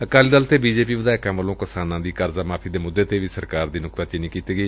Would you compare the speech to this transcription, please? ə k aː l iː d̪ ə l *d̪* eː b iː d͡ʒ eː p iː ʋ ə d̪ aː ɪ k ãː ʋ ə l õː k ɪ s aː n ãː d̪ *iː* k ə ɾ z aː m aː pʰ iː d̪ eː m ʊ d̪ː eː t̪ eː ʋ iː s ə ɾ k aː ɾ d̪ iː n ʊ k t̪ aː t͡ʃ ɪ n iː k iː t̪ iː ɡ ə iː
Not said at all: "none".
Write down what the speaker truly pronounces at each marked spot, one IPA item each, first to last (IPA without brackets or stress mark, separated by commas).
t̪, iː